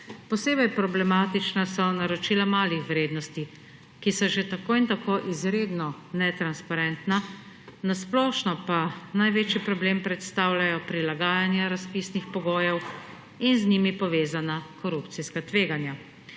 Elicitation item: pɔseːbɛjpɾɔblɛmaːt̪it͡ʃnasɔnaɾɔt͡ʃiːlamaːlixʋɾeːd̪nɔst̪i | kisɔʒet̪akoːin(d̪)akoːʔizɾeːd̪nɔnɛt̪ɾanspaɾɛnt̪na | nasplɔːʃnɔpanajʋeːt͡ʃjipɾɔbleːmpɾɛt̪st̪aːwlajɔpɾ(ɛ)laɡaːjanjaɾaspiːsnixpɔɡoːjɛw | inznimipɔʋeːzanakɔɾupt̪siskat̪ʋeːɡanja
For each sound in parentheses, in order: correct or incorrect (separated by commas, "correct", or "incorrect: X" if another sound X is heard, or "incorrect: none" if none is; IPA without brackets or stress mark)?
incorrect: t̪, incorrect: i